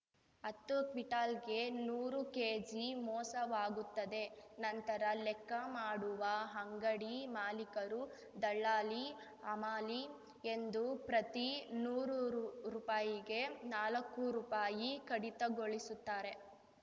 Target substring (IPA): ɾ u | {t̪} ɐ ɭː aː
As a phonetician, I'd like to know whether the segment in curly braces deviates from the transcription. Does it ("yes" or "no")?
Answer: yes